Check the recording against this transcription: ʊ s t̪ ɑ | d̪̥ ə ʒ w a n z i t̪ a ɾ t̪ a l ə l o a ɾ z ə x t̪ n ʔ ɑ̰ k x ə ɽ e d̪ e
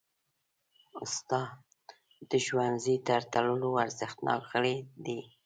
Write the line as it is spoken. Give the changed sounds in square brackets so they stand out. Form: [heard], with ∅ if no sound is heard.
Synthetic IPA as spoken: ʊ s t̪ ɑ | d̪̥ ə ʒ w a n z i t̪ a ɾ t̪ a l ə l o a ɾ z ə x t̪ n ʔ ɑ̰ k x ə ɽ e d̪ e